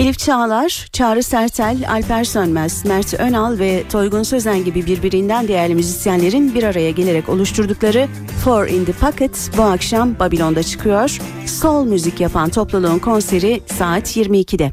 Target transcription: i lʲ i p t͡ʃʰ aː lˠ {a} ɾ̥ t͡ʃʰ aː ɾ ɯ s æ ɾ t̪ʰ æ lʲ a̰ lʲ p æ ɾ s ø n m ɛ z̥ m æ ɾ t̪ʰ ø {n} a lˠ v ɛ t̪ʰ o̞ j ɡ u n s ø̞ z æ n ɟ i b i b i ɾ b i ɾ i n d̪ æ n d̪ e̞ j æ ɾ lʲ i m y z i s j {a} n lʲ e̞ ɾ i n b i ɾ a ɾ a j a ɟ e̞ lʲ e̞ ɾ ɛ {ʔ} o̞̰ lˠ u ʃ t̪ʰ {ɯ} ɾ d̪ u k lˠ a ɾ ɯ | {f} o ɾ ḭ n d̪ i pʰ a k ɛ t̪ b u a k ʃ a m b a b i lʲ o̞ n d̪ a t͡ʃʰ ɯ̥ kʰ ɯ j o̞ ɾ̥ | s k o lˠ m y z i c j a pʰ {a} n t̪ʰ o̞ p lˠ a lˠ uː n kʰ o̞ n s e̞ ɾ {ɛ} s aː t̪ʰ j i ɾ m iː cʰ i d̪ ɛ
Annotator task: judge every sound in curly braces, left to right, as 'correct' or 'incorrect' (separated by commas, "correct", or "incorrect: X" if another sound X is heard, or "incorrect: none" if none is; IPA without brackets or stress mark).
correct, correct, incorrect: æ, incorrect: c, incorrect: u, correct, correct, incorrect: i